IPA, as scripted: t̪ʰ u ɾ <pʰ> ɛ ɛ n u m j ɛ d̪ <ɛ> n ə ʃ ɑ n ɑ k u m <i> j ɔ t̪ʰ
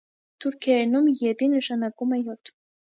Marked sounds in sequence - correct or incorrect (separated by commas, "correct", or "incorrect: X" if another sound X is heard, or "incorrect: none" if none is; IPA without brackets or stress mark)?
incorrect: kʰ, incorrect: i, incorrect: ɛ